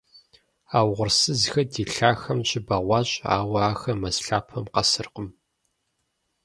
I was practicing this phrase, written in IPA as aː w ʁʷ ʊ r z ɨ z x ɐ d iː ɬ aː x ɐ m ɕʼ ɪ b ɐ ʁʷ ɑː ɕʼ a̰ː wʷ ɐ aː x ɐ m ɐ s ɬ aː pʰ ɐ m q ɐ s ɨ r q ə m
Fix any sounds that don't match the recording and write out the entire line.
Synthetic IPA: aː w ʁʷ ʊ r s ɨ z x ɐ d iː ɬ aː x ɐ m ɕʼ ɪ b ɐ ʁʷ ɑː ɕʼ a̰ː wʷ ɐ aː x ɐ m ɐ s ɬ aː pʰ ɐ m q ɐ s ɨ r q ə m